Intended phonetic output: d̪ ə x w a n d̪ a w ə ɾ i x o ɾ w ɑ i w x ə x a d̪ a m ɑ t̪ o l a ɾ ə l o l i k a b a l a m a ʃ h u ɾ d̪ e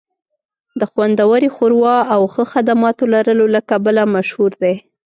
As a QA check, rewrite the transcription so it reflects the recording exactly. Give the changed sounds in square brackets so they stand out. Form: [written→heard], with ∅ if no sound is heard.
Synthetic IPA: d̪ ə x w a n d̪ a w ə ɾ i x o ɾ w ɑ [i→a] w x ə x a d̪ a m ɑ t̪ o l a ɾ ə l o l [i→a] k a b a l a m a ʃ h u ɾ d̪ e